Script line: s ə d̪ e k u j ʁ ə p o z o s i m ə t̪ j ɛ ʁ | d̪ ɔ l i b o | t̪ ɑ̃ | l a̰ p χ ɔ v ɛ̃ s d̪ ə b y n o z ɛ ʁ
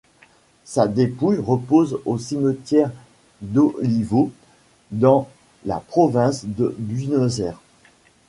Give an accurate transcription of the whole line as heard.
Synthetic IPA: s a d̪ e p u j ʁ ə p o z o s i m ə t̪ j ɛ ʁ | d̪ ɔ l i v o | d̪ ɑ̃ | l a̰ p χ ɔ v ɛ̃ s d̪ ə b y n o z ɛ ʁ